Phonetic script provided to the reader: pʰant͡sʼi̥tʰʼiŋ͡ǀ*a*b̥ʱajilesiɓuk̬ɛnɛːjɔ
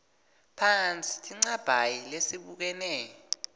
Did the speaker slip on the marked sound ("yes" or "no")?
no